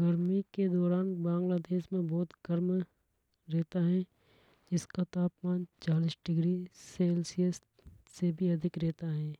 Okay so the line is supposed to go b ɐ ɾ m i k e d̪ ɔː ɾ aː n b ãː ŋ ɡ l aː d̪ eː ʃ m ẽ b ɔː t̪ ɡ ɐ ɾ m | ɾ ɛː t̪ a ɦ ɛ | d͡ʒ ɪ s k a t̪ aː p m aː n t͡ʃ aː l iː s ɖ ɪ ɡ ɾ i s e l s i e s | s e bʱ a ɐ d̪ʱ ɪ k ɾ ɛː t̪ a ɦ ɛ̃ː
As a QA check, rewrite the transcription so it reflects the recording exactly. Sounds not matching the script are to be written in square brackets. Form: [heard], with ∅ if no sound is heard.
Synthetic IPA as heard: [ɡ] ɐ ɾ m i k e d̪ ɔː ɾ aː n b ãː ŋ ɡ l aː d̪ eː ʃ m ẽ b ɔː t̪ ɡ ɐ ɾ m | ɾ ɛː t̪ a ɦ ɛ | d͡ʒ ɪ s k a t̪ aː p m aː n t͡ʃ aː l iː s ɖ ɪ ɡ ɾ i s e l s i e s | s e bʱ [i] ɐ d̪ʱ ɪ k ɾ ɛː t̪ a ɦ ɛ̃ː